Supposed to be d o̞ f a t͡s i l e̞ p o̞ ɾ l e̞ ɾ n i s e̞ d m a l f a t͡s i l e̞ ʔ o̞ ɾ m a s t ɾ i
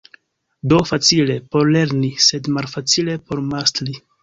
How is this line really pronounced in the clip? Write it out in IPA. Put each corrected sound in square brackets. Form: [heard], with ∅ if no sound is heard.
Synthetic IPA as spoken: d o̞ f a t͡s i l e̞ p o̞ ɾ l e̞ ɾ n i s e̞ d m a l f a t͡s i l e̞ [p] o̞ ɾ m a s t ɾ i

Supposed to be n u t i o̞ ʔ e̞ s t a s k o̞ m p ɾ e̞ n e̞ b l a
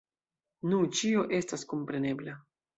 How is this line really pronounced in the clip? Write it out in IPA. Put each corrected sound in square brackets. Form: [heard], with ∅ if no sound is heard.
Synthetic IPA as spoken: n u [t͡ʃ] i o̞ ʔ e̞ s t a s k o̞ m p ɾ e̞ n e̞ b l a

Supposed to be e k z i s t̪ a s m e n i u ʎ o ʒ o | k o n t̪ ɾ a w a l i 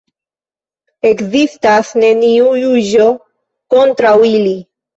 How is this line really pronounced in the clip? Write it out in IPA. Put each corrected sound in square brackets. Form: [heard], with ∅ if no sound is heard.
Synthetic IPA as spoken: e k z i s t̪ a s [n] e n i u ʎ [u] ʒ o | k o n t̪ ɾ a w [i] l i

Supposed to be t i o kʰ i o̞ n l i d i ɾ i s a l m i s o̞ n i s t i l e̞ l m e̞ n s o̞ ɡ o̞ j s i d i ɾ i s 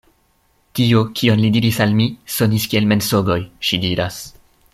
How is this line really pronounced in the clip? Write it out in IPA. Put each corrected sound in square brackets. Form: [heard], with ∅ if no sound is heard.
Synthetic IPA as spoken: t i o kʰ i o̞ n l i d i ɾ i s a l m i s o̞ n i s [k] i [∅] e̞ l m e̞ n s o̞ ɡ o̞ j [ʃ] i d i ɾ [a] s

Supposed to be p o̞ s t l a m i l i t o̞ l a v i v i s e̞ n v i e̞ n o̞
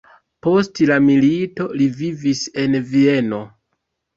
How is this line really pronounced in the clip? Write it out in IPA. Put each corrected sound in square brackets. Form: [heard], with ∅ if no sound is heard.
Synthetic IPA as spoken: p o̞ s t l a m i l i t o̞ l [i] v i v i s e̞ n v i e̞ n o̞

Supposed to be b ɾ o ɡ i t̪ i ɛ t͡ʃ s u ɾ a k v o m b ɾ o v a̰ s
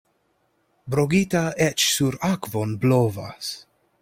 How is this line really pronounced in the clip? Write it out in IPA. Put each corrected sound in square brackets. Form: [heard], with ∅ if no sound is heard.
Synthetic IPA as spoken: b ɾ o ɡ i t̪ [a] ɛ t͡ʃ s u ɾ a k v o [n] b [l] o v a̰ s

